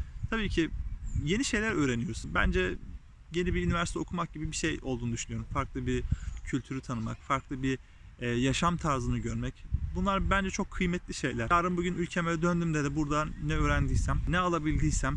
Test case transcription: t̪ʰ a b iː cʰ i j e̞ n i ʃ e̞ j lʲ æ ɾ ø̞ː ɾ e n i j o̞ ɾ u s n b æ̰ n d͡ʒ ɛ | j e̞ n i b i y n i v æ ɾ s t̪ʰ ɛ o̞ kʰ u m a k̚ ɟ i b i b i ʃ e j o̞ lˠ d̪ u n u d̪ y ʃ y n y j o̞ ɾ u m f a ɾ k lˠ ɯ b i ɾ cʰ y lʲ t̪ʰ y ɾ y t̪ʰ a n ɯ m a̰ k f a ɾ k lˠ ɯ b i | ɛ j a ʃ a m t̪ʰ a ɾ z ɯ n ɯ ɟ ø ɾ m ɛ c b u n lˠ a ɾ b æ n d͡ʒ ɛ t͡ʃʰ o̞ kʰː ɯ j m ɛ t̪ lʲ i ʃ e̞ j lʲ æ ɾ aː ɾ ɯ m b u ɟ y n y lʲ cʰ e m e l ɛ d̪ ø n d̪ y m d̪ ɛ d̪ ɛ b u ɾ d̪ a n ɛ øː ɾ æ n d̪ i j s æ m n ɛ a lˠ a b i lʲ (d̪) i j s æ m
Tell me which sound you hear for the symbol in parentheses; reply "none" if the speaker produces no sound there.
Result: d̪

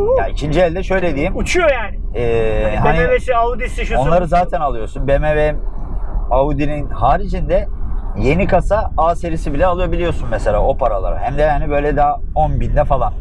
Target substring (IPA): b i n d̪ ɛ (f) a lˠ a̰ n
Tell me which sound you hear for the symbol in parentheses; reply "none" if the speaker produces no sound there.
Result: f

